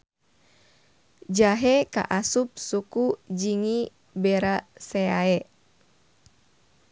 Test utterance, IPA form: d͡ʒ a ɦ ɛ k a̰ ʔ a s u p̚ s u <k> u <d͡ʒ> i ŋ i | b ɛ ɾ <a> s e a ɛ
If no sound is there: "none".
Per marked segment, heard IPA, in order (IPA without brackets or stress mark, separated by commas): k, d͡ʒ, a